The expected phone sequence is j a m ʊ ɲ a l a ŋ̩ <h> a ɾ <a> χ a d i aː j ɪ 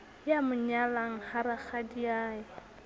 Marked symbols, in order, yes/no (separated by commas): yes, yes